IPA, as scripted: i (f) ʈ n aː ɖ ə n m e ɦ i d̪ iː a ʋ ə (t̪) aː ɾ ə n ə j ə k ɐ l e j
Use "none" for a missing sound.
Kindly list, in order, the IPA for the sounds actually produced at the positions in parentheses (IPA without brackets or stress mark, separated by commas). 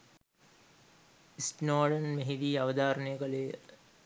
s, d̪